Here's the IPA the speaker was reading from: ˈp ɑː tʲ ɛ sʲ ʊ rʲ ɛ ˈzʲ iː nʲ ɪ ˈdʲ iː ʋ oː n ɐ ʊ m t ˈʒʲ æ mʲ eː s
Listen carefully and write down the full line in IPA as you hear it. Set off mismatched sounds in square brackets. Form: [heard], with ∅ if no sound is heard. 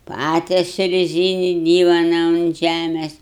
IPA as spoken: ˈp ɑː tʲ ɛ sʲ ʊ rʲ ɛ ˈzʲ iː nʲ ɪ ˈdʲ iː ʋ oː n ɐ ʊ [n] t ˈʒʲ æ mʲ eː s